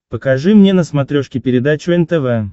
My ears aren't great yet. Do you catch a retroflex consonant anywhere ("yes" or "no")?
yes